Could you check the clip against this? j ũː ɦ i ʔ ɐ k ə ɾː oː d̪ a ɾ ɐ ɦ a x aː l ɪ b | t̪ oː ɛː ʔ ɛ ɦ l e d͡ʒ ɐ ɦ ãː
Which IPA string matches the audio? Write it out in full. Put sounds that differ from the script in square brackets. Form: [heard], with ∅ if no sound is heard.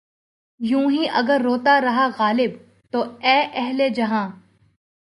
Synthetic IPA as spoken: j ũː ɦ i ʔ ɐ [ɡ] ə ɾː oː [t̪] a ɾ ɐ ɦ a [ɣ] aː l ɪ b | t̪ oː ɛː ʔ ɛ ɦ l e d͡ʒ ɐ ɦ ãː